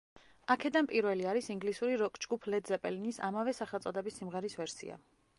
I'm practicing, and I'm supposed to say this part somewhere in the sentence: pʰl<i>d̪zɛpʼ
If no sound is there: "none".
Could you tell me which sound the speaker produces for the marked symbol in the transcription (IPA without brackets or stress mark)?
ɛ